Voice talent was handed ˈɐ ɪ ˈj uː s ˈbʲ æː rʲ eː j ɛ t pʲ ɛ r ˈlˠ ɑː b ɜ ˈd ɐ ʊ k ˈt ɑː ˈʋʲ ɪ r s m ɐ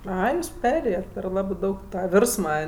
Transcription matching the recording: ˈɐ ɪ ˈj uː s ˈpʲ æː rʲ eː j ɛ t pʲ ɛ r ˈlˠ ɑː b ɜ ˈd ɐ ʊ k ˈt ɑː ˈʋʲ ɪ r s m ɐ